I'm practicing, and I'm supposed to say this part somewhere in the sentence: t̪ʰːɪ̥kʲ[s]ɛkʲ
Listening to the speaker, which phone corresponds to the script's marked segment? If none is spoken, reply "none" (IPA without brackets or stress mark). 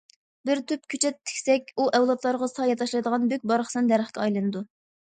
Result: s